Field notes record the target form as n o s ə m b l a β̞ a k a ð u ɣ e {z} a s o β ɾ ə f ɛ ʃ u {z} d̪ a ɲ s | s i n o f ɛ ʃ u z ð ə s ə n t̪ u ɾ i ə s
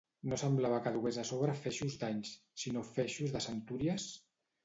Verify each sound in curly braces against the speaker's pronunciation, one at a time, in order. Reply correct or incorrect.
correct, correct

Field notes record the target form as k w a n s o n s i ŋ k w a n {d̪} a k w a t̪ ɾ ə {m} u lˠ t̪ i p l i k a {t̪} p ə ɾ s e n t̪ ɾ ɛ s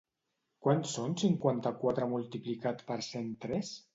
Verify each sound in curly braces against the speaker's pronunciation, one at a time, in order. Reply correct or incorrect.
incorrect: t̪, correct, correct

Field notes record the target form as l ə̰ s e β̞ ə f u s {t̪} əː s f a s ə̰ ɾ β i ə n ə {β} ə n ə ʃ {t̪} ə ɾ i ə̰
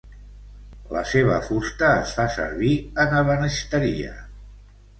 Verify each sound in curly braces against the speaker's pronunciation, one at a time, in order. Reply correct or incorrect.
correct, correct, correct

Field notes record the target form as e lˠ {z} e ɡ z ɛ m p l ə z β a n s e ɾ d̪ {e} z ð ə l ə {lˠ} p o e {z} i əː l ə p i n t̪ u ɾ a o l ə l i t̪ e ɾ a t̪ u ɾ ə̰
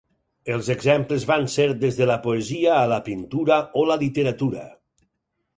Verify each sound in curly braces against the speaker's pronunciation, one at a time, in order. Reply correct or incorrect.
correct, correct, incorrect: none, correct

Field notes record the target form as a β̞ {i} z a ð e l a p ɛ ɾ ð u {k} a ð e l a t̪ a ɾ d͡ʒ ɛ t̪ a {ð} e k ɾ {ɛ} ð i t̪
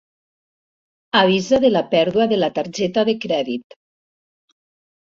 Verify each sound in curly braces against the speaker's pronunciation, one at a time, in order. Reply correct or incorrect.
correct, incorrect: none, correct, correct

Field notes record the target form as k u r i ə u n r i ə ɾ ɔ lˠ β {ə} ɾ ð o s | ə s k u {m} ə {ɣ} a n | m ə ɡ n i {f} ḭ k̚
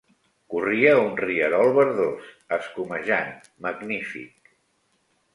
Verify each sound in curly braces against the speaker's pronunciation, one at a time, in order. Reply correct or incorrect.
correct, correct, incorrect: ʒ, correct

